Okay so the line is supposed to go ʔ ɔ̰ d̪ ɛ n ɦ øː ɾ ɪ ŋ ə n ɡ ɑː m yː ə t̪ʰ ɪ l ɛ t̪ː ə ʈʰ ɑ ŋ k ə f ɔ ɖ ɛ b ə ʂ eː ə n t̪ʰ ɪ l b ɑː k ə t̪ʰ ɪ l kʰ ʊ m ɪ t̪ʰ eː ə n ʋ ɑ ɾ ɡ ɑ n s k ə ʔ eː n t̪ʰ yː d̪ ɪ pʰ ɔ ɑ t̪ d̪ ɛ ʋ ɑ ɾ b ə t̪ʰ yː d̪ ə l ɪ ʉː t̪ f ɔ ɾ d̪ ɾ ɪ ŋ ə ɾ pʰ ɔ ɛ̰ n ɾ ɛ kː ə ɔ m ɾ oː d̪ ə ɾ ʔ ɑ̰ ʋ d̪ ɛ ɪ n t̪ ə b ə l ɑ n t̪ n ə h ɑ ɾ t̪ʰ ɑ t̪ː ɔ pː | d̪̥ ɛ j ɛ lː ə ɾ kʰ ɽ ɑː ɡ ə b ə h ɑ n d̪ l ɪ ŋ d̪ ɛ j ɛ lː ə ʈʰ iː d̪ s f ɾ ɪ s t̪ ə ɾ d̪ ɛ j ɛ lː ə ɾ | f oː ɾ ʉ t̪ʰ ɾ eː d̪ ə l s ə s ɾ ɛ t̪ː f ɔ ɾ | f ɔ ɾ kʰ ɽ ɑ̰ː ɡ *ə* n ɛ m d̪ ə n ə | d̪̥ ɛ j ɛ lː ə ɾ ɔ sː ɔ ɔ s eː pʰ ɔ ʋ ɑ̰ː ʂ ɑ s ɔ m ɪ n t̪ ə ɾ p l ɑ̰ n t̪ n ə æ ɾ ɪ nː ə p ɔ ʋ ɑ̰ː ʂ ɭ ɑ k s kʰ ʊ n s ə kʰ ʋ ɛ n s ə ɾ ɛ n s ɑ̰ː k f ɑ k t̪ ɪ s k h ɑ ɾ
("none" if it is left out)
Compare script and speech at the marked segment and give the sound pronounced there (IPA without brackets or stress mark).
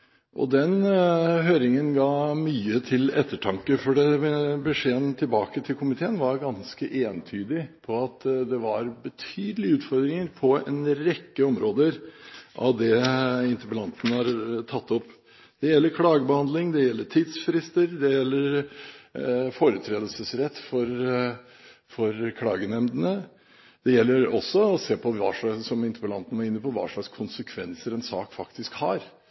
ə